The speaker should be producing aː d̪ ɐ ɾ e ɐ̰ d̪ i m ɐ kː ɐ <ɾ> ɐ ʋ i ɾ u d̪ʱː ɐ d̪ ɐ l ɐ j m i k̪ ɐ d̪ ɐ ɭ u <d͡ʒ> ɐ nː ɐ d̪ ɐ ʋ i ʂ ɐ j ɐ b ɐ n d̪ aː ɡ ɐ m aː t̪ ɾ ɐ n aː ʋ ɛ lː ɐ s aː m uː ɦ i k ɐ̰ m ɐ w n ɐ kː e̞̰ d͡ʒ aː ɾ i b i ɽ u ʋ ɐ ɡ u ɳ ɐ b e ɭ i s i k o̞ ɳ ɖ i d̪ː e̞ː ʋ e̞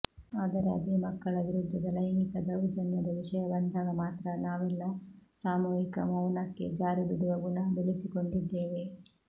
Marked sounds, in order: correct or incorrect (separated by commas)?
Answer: incorrect, correct